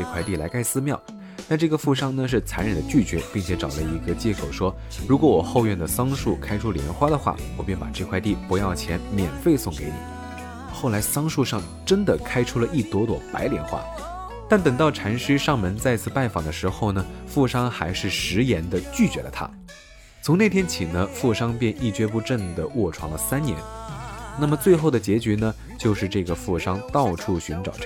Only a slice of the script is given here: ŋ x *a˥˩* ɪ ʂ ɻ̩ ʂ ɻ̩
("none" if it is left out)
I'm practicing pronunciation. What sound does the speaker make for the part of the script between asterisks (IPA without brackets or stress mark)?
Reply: a˧˥